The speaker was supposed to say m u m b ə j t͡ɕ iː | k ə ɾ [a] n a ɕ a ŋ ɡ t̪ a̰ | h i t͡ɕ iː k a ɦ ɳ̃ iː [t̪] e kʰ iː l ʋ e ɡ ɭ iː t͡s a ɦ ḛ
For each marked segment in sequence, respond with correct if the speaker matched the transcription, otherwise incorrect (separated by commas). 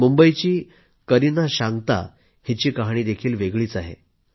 incorrect, incorrect